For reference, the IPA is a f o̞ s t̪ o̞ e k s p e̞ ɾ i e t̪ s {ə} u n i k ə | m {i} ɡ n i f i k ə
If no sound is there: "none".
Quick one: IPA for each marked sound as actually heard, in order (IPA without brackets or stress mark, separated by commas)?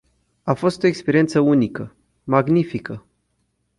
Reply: ə, a